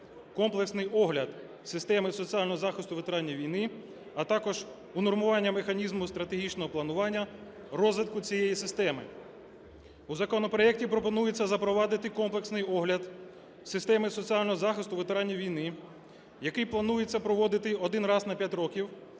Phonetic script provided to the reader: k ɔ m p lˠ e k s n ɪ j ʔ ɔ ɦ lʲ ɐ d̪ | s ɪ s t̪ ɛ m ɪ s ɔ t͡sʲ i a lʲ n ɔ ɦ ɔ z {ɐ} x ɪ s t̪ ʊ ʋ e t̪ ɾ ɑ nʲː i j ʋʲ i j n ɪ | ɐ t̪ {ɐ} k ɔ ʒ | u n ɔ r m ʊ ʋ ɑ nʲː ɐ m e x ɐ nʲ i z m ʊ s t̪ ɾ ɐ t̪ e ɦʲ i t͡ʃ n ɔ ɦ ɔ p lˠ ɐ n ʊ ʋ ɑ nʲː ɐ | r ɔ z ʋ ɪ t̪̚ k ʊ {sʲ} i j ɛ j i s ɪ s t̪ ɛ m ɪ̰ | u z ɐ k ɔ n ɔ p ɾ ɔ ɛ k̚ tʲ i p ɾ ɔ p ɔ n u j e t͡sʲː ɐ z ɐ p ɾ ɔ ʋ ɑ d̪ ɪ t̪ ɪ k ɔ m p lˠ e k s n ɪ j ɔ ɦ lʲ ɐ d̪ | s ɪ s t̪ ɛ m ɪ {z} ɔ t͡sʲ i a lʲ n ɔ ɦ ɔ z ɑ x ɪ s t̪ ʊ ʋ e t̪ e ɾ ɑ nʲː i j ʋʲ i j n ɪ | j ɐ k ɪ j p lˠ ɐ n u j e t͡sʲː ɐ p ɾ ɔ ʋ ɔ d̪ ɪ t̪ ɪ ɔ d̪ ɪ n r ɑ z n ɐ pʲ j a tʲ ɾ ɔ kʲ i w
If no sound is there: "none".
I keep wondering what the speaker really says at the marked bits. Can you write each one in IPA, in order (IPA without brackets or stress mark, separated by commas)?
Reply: ɑ, ɑ, t͡sʲ, s